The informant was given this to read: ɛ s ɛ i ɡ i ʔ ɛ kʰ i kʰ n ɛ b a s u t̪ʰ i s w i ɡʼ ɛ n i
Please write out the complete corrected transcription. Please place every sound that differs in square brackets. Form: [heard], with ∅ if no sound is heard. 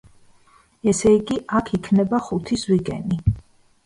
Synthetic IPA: ɛ s ɛ i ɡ i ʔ [a] kʰ i kʰ n ɛ b a [χ] u t̪ʰ i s w i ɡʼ ɛ n i